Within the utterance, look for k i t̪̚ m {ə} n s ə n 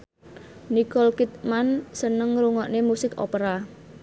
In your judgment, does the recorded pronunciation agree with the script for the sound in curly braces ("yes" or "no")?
no